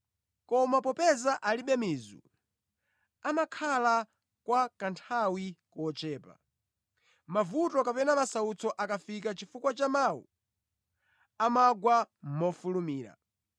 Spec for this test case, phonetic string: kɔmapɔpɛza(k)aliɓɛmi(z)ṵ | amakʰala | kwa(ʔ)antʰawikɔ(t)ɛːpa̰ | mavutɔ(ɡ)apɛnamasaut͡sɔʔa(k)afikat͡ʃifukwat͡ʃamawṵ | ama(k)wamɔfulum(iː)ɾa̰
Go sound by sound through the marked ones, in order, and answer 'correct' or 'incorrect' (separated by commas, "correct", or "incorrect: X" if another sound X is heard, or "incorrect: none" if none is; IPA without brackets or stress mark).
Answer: incorrect: ʔ, correct, incorrect: k, incorrect: t͡ʃ, incorrect: k, correct, incorrect: ɡ, correct